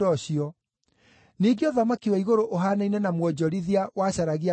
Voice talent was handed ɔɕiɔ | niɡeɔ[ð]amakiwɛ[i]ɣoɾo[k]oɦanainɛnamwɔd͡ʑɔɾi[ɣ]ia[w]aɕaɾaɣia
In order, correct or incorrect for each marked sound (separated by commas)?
correct, correct, incorrect, incorrect, correct